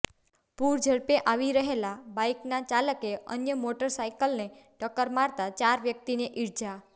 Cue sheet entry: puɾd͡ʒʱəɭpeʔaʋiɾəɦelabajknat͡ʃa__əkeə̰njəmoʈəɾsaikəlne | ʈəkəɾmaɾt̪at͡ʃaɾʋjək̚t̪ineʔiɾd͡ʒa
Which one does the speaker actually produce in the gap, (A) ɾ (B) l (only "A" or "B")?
B